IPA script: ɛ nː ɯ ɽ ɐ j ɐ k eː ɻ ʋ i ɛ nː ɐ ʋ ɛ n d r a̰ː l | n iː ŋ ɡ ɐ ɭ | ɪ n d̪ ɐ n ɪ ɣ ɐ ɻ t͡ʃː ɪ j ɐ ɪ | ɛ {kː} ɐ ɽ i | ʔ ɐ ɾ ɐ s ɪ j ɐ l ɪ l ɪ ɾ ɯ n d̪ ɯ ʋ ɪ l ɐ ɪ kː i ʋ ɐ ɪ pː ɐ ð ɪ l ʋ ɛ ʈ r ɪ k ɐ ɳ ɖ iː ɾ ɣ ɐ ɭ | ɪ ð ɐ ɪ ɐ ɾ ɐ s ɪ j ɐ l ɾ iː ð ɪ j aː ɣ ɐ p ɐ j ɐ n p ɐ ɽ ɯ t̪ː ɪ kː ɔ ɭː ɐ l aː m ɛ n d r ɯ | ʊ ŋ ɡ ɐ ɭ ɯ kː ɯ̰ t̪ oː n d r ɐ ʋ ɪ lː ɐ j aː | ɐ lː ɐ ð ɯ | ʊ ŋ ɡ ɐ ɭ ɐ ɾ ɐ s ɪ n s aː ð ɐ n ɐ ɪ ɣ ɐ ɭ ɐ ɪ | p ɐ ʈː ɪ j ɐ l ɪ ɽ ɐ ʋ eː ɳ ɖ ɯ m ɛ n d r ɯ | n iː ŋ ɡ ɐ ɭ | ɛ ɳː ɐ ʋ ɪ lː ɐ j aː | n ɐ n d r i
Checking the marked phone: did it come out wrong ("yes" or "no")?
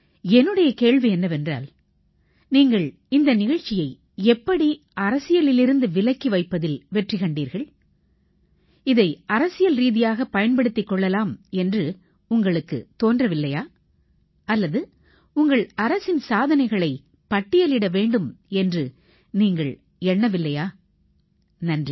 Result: yes